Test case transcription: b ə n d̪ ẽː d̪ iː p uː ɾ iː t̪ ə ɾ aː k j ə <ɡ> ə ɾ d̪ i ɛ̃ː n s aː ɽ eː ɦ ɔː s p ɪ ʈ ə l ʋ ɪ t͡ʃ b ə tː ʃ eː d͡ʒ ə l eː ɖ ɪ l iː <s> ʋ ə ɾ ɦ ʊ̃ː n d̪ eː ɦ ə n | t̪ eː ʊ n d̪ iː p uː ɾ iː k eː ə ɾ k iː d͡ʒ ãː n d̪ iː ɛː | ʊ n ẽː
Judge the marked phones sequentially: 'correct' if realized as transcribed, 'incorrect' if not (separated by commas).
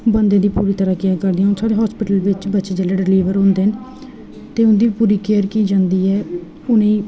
incorrect, incorrect